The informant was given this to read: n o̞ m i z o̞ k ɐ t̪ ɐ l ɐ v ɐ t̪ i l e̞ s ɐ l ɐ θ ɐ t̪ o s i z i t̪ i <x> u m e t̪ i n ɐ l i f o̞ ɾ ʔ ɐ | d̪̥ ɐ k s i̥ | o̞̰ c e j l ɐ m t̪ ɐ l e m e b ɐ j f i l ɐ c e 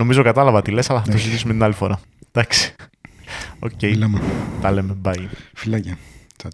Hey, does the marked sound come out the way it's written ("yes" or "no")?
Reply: no